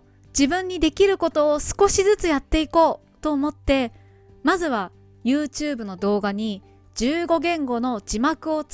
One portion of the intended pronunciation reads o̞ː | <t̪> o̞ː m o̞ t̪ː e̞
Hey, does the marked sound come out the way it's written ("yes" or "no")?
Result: yes